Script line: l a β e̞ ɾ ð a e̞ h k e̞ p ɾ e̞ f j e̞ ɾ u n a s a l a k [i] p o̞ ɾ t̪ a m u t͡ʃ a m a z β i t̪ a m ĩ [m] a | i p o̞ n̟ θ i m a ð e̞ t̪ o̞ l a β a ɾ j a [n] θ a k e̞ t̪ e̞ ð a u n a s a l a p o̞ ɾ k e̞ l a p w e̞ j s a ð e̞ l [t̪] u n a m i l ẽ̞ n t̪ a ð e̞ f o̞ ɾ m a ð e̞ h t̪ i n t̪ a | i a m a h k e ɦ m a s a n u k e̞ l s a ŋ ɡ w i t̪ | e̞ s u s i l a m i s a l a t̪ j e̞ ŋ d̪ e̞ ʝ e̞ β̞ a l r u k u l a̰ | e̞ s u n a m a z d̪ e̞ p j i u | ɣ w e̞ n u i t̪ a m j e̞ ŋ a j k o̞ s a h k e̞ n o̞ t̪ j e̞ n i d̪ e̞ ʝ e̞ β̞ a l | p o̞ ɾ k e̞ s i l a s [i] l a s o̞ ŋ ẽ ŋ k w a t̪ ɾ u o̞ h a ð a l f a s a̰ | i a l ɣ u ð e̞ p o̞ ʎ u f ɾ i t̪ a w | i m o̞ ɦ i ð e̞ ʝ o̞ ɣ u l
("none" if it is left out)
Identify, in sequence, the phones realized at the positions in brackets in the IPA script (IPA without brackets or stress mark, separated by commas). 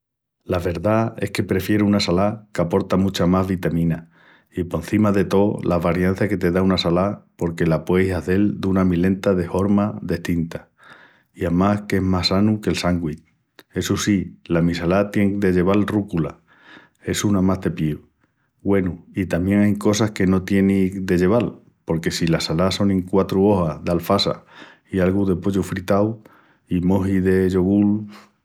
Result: a, n, n, d̪, a